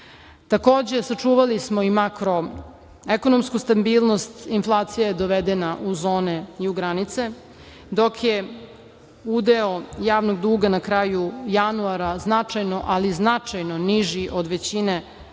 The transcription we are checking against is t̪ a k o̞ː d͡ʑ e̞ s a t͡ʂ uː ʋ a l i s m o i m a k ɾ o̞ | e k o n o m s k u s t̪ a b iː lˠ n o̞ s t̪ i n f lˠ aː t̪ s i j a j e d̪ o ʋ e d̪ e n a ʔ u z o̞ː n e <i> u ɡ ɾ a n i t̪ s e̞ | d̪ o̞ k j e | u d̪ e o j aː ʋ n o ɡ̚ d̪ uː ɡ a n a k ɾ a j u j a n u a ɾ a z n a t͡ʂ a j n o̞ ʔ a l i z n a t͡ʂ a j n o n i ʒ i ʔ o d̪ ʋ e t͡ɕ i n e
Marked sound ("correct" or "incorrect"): correct